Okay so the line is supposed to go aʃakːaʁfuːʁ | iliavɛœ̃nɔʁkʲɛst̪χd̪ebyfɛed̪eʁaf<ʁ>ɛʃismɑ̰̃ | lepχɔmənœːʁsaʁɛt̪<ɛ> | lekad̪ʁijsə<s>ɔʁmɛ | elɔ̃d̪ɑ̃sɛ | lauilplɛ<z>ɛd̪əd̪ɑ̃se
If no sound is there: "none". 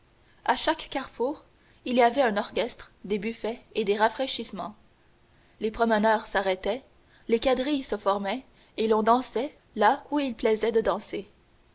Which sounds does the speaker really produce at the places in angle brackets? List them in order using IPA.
χ, ɛ, f, z

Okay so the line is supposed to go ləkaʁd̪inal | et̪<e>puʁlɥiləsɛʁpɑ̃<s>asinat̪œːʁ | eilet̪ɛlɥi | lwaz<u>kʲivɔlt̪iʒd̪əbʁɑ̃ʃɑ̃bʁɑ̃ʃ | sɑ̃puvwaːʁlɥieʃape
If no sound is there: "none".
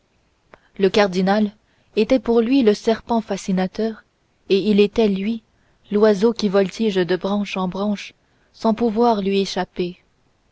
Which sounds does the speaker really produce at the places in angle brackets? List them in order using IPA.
ɛ, f, o

